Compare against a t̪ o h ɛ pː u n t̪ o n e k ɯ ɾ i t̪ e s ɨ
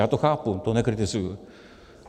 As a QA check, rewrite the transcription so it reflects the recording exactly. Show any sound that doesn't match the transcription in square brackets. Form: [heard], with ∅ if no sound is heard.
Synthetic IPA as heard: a t̪ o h [a] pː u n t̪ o n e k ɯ ɾ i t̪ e s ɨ